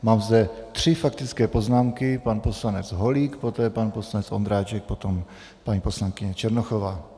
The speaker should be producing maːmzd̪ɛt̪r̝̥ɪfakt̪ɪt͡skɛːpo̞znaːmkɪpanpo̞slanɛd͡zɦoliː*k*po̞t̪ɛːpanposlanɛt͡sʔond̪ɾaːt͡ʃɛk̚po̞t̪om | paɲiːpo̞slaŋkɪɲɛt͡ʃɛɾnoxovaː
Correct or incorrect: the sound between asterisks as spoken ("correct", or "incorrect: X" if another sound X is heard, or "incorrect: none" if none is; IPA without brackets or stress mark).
correct